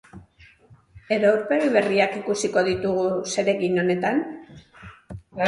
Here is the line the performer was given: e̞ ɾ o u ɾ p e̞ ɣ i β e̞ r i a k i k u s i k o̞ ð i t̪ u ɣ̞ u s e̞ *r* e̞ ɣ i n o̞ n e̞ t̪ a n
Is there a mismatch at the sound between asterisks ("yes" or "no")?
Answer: yes